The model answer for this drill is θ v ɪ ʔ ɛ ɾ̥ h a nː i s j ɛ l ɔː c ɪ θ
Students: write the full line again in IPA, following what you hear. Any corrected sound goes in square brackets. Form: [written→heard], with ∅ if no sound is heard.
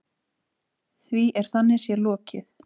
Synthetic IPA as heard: θ v [ɪ→i] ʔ ɛ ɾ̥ [h→θ] a nː [i→ɪ] s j ɛ l ɔː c ɪ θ